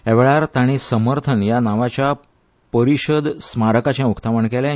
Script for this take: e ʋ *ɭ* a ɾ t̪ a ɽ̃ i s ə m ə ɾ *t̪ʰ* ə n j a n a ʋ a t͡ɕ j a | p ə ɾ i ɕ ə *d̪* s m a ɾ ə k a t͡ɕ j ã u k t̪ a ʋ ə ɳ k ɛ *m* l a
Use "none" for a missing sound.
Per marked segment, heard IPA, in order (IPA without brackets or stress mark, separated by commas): ɭ, t̪ʰ, d̪, none